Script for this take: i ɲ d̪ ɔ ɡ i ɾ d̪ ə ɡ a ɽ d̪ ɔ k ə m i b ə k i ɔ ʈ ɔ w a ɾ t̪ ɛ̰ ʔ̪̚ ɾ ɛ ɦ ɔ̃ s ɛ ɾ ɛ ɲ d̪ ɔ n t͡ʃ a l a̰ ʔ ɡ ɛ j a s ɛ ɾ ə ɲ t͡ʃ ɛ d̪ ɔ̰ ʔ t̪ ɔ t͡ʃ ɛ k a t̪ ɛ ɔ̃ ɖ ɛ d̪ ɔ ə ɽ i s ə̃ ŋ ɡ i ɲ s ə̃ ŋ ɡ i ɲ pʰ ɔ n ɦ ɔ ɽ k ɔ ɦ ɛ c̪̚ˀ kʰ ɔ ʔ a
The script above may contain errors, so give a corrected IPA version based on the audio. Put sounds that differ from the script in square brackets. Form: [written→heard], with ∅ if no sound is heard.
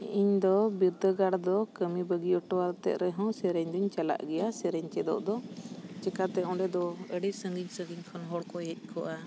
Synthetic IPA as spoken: i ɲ d̪ ɔ [ɡ→b] i ɾ d̪ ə ɡ a ɽ d̪ ɔ k ə m i b ə [k→ɡ] i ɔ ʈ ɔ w a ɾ t̪ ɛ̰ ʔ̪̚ ɾ ɛ ɦ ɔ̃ s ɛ ɾ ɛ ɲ d̪ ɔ [n→ɲ] t͡ʃ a l a̰ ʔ ɡ ɛ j a s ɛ ɾ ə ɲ t͡ʃ ɛ d̪ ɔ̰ ʔ [t̪→d̪] ɔ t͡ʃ ɛ k a t̪ ɛ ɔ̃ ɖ ɛ d̪ ɔ ə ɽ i s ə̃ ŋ ɡ i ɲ s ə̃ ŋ ɡ i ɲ [pʰ→kʰ] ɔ n ɦ ɔ ɽ k ɔ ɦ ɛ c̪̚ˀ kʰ ɔ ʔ a